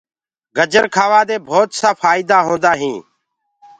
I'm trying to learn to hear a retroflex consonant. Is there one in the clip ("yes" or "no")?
no